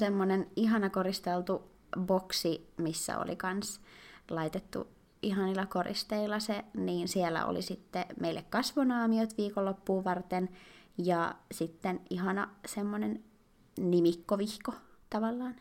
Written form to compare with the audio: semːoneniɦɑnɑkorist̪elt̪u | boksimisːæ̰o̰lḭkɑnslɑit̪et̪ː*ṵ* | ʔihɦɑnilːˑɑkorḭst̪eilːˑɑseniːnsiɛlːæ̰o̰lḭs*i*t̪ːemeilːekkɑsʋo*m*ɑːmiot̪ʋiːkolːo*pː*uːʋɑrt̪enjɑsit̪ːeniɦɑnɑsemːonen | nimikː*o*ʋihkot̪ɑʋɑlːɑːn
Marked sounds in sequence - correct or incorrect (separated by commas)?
correct, correct, incorrect, correct, correct